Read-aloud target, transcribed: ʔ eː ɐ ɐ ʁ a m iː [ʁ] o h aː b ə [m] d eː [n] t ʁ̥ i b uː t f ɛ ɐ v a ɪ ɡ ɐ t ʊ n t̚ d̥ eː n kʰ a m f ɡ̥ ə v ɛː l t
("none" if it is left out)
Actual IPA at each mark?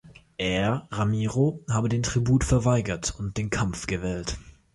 ʁ, none, n

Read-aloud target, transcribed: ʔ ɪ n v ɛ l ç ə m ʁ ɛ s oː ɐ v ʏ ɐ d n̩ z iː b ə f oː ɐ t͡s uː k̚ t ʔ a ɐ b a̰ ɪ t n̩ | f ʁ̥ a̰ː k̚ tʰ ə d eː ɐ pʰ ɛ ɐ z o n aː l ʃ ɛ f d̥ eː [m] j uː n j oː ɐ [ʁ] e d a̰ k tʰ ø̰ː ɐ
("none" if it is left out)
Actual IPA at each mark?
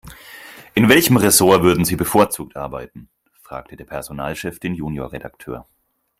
n, ʁ

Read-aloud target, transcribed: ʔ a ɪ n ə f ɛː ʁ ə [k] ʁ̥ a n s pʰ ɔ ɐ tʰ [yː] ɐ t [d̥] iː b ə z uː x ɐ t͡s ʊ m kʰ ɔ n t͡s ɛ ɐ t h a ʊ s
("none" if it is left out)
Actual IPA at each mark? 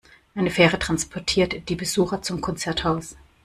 t, iː, d̥

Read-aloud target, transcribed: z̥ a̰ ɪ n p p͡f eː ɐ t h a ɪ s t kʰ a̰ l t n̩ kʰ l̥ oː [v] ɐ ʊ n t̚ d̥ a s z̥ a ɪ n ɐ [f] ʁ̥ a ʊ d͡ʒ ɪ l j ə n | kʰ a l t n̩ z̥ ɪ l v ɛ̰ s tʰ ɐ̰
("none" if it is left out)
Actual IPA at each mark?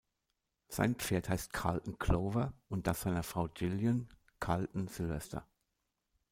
v, f

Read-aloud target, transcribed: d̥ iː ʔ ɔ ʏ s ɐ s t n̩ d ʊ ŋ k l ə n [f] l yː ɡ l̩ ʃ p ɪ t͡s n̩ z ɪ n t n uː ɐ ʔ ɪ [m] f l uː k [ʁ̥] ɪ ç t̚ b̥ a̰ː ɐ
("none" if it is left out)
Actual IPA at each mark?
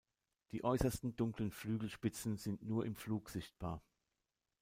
f, m, z̥

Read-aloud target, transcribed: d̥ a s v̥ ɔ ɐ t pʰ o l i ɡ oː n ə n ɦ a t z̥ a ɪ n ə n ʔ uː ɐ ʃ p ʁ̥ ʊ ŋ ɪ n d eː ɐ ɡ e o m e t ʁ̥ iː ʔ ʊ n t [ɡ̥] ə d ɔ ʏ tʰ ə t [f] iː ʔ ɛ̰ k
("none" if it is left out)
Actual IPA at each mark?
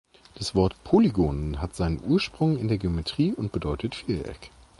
b̥, f

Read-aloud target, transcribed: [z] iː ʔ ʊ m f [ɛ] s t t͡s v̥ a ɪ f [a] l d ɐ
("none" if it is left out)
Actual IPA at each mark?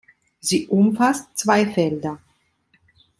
z, a, ɛ

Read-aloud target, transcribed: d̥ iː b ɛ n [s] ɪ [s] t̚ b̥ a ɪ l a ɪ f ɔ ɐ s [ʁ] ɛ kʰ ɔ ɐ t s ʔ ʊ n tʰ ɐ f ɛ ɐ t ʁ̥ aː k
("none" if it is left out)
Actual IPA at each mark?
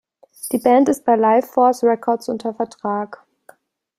t, s, ʁ

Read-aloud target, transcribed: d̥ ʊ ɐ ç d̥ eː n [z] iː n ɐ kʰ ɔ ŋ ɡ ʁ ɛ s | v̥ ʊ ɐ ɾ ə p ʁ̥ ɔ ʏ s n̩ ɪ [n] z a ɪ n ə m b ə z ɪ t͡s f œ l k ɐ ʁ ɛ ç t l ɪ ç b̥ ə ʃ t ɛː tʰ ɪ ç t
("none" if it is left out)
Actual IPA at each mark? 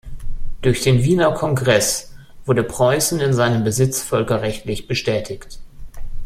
v, n

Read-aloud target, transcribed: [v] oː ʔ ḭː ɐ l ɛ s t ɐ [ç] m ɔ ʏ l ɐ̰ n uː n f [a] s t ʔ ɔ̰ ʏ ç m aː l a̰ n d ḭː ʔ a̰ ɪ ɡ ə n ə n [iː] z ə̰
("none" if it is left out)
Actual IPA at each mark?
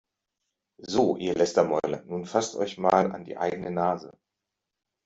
z, none, a, aː

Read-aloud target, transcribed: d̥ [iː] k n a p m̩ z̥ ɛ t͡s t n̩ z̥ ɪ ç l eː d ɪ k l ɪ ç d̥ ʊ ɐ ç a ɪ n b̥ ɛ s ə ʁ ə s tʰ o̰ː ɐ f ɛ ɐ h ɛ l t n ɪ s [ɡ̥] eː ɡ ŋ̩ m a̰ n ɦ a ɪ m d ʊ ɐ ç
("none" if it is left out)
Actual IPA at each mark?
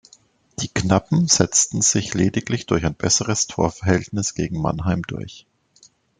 iː, ɡ̥

